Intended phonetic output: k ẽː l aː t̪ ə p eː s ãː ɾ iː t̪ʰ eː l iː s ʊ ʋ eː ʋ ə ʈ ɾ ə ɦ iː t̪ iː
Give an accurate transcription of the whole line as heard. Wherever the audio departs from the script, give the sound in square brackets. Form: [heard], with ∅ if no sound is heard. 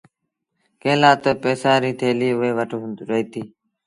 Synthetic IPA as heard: k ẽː l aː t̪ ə p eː s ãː ɾ iː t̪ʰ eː l iː [∅] ʊ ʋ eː ʋ ə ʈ ɾ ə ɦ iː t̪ iː